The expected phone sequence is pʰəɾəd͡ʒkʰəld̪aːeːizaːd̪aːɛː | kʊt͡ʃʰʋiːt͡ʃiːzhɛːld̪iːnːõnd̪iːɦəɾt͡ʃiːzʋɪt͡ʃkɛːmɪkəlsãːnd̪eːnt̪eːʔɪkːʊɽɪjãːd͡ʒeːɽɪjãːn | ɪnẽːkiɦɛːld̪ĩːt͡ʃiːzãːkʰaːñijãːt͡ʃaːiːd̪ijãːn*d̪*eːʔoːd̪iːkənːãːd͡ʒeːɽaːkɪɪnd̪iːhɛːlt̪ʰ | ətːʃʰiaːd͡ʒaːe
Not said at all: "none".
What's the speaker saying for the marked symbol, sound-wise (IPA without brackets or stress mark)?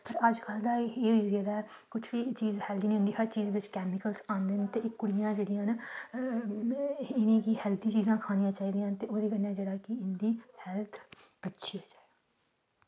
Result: t̪